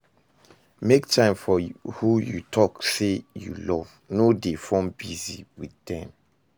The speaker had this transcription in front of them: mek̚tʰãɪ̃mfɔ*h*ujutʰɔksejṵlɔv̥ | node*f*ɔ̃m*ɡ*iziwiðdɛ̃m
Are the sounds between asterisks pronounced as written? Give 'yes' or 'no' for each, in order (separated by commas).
yes, yes, no